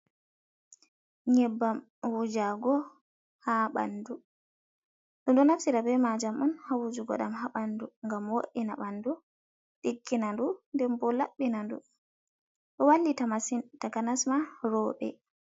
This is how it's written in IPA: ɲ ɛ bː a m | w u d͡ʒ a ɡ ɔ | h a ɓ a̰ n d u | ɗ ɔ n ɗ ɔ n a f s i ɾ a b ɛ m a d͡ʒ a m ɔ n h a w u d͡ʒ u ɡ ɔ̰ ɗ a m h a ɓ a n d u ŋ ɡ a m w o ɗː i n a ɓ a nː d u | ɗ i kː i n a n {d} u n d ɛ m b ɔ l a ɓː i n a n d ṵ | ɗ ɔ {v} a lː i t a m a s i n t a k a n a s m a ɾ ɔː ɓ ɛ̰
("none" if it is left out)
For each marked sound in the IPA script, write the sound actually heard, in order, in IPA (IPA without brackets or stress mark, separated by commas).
d, w